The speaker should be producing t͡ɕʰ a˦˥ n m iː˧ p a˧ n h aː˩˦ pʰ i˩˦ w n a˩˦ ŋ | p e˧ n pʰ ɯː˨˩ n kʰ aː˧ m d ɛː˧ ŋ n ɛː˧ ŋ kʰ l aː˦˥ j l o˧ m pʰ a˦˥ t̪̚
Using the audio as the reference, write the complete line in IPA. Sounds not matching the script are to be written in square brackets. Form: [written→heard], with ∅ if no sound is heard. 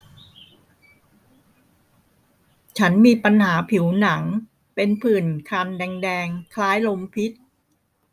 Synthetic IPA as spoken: t͡ɕʰ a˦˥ n m iː˧ p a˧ n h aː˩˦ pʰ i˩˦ w n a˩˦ ŋ | p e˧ n pʰ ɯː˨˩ n kʰ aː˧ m d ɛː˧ ŋ [n→d] ɛː˧ ŋ kʰ l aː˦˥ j l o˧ m pʰ [a˦˥→i˦˥] t̪̚